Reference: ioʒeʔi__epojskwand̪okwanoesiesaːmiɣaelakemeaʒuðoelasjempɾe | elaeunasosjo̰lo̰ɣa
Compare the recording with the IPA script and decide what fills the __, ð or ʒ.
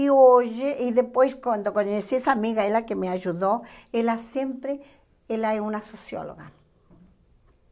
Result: ð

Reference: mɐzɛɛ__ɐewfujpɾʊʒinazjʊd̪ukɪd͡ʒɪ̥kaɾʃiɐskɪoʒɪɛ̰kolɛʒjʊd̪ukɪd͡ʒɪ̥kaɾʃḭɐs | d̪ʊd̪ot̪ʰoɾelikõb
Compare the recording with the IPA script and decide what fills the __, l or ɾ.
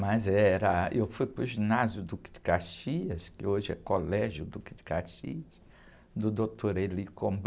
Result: ɾ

